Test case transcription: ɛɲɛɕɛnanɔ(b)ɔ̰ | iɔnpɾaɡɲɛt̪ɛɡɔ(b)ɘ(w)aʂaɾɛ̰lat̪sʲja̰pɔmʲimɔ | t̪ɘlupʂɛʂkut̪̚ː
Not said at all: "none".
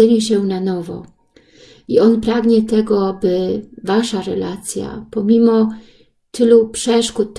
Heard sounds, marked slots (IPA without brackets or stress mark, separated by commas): v, b, v